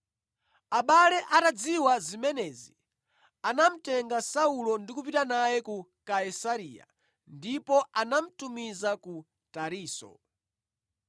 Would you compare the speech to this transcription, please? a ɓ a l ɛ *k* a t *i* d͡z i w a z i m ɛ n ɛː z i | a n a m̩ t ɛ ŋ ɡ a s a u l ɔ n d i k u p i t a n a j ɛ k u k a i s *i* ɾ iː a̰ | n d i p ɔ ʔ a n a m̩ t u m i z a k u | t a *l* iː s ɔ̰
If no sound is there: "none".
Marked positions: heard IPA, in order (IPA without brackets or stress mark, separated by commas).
ʔ, a, a, ɾ